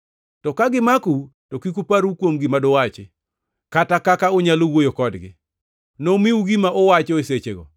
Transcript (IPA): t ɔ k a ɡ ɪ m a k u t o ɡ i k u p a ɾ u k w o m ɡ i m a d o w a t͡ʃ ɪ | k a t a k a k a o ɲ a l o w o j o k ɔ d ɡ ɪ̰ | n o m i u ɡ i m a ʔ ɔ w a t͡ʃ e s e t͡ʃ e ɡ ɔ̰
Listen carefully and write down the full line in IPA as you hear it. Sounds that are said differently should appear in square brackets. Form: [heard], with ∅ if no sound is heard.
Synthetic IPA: t ɔ k a ɡ ɪ m a k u t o [k] i k u p a ɾ u k w o m ɡ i m a d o w a t͡ʃ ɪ | k a t a k a k a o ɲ a l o w o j o k ɔ d ɡ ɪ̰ | n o m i u ɡ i m a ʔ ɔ w a t͡ʃ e s e t͡ʃ e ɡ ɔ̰